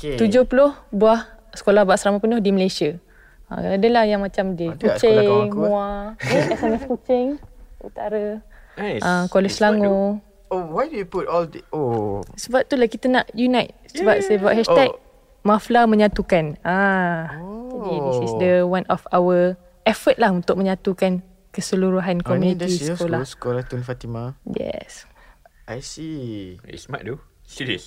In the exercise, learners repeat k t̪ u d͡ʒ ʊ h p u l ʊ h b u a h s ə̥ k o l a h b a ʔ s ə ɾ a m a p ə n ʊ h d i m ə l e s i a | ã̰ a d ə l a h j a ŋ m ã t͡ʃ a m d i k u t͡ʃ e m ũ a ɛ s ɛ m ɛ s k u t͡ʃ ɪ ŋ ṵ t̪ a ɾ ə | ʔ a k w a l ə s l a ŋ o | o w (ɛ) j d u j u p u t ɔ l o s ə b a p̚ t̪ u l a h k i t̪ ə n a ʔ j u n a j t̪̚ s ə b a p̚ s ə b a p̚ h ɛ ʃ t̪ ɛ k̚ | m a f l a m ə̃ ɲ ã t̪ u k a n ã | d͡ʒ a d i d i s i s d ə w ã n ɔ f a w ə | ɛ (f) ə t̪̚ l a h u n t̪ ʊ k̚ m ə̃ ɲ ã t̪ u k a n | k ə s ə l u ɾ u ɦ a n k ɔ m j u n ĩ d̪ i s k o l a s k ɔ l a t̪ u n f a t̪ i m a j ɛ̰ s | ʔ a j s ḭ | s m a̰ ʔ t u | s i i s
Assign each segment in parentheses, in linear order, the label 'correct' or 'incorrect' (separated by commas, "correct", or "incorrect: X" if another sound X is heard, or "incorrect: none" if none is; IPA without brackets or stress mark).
incorrect: a, correct